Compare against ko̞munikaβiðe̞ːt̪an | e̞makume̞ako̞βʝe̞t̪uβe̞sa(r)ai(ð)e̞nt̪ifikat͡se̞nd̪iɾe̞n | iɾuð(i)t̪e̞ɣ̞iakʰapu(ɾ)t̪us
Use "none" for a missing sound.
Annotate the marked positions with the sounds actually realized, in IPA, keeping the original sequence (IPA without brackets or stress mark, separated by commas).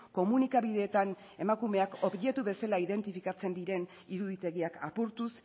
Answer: l, ð, i, ɾ